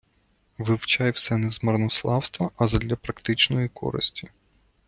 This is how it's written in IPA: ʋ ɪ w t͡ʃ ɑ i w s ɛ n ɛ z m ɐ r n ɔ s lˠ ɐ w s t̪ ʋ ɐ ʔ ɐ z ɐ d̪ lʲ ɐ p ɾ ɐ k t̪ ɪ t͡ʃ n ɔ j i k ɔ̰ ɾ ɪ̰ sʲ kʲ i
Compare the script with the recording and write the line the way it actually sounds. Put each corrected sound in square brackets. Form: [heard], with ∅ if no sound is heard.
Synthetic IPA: ʋ ɪ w t͡ʃ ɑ [j] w s ɛ n ɛ z m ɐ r n ɔ s lˠ [ɑ] w s t̪ ʋ ɐ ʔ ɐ z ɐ d̪ lʲ ɐ p ɾ ɐ k t̪ ɪ t͡ʃ n ɔ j i k ɔ̰ ɾ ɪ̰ sʲ [tʲ] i